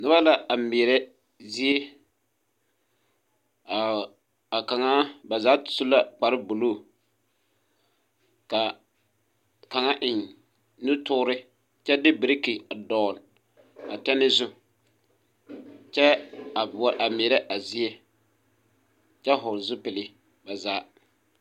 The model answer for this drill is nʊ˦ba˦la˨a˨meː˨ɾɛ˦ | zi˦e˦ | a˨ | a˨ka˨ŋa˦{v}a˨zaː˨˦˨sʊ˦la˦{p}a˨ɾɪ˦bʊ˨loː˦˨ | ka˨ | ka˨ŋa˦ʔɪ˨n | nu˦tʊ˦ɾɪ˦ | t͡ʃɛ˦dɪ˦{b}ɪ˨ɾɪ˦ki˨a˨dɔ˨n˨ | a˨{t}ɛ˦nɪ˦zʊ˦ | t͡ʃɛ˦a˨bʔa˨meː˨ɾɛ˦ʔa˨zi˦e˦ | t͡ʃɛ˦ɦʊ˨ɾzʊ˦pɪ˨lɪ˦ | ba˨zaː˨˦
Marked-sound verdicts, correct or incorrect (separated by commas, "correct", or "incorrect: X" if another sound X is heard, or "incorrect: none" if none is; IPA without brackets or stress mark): incorrect: b, incorrect: k͡p, correct, correct